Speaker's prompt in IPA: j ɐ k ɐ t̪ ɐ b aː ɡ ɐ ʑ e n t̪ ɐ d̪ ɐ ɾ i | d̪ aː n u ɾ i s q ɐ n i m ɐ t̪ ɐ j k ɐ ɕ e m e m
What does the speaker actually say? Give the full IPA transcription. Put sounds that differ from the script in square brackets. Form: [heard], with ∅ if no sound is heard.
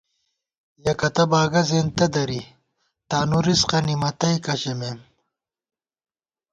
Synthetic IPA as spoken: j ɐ k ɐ t̪ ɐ b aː ɡ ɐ [z] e n t̪ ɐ d̪ ɐ ɾ i | [t̪] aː n u ɾ i s q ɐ n i m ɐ t̪ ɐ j k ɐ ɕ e m e m